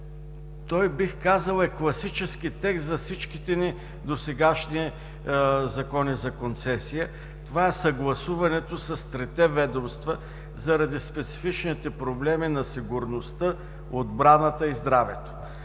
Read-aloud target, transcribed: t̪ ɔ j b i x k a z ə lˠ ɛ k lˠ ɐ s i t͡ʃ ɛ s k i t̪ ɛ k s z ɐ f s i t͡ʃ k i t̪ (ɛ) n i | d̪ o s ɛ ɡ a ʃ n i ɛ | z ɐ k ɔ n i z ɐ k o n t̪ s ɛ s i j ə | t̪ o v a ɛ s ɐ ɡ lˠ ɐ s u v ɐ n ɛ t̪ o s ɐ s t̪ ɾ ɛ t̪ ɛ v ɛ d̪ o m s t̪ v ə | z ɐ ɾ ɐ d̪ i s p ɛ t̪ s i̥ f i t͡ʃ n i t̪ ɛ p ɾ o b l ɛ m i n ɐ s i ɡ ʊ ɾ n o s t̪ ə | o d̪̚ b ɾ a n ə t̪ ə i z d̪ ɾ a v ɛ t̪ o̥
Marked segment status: correct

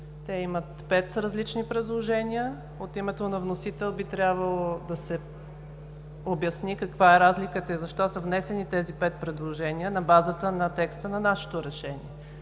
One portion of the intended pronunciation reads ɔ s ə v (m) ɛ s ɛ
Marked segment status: incorrect: n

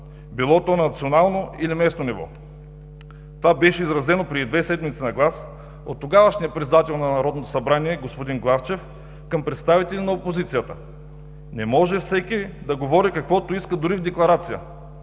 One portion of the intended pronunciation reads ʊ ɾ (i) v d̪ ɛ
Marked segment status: correct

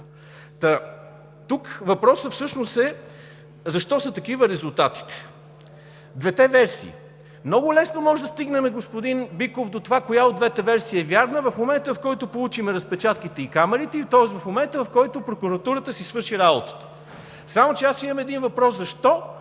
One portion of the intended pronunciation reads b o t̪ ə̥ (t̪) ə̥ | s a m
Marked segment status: correct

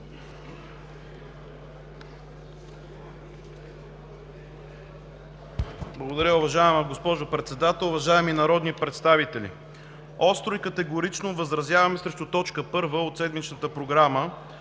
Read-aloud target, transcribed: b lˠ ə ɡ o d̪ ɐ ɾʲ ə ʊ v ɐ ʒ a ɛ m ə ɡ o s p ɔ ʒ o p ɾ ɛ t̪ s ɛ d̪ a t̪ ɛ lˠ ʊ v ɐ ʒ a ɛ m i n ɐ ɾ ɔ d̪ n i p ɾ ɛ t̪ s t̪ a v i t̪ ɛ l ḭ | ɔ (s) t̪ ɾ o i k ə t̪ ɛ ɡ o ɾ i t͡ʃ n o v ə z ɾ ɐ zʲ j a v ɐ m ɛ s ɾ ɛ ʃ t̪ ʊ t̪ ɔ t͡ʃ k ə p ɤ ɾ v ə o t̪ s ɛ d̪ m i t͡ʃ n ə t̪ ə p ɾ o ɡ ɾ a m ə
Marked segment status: correct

